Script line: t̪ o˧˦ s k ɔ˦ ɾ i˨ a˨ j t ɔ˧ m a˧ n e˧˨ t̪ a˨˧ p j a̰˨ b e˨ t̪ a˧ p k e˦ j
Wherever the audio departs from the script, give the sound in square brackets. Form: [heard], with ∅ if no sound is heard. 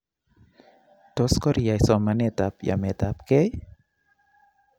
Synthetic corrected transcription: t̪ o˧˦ s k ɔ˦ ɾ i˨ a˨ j [s] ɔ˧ m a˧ n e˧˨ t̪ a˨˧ p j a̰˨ [m] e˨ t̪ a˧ p k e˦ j